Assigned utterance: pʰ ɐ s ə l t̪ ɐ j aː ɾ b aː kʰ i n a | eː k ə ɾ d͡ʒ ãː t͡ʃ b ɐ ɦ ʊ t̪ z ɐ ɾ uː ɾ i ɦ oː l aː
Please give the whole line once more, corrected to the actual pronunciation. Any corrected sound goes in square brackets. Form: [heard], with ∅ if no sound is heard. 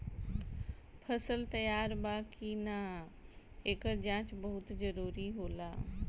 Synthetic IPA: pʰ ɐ s ə l t̪ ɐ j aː ɾ b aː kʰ i n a | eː k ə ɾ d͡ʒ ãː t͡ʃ b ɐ ɦ ʊ t̪ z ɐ ɾ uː ɾ i ɦ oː l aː